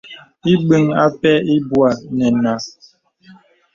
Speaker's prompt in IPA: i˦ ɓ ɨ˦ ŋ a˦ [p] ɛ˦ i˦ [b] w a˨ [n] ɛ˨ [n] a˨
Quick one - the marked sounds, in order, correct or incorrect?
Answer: correct, correct, correct, correct

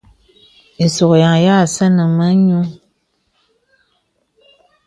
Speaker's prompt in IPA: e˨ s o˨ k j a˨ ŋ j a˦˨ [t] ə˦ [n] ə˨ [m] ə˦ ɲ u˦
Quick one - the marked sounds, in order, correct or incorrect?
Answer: incorrect: s, correct, correct

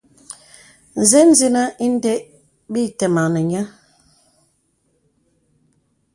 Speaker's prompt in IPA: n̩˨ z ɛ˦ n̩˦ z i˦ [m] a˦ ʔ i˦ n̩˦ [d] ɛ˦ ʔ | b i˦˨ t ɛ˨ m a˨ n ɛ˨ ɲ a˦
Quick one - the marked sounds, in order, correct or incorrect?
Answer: incorrect: n, correct

